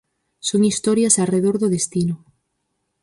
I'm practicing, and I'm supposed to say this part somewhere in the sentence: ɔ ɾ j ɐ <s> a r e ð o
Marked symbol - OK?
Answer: yes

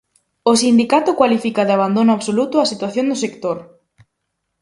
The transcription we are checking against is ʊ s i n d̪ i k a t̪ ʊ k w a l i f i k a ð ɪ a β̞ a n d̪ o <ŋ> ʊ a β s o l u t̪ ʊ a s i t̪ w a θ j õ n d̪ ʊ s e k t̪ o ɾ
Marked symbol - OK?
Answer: no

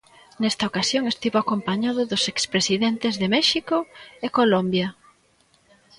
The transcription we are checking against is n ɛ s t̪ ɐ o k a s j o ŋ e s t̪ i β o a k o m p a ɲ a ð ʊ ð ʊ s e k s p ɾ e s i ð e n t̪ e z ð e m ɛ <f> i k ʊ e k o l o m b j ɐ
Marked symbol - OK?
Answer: no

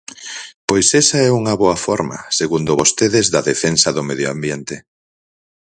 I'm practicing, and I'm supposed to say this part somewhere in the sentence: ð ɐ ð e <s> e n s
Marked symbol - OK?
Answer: no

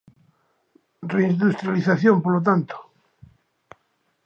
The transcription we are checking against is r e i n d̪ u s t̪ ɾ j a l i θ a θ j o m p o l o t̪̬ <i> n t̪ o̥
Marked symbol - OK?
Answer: no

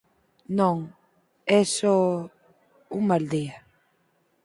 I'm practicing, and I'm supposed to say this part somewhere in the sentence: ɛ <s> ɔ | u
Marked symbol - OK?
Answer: yes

